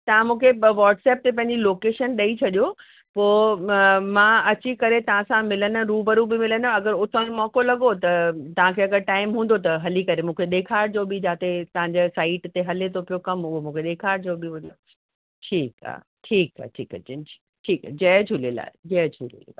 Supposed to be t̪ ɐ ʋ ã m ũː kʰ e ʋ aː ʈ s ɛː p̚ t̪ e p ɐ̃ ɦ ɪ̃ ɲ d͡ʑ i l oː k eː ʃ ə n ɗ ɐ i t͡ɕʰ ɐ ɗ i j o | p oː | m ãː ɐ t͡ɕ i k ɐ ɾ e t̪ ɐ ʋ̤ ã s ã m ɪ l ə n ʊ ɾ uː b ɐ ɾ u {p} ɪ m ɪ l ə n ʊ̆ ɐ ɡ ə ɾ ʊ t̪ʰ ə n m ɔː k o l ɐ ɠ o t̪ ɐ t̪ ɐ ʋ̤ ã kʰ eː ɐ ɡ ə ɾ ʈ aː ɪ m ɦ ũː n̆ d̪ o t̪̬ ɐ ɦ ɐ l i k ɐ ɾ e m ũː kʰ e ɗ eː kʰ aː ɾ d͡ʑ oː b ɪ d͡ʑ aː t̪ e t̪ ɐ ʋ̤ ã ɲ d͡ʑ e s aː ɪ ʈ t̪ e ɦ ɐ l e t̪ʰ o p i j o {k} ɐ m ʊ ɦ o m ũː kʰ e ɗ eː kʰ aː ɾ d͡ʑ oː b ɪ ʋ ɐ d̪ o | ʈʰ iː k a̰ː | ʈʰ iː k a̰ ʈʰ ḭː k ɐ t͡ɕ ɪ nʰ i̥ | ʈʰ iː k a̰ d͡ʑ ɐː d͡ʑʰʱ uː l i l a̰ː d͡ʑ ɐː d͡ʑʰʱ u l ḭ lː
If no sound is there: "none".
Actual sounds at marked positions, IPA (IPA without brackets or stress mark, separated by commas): b, k